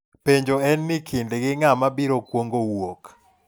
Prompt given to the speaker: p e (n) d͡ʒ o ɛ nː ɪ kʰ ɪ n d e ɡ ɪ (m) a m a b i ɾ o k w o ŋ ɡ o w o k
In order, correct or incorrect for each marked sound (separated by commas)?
incorrect, incorrect